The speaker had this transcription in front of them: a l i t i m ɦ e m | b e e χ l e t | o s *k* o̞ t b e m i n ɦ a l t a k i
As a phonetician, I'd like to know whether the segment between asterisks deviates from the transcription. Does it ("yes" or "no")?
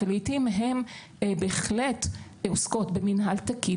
no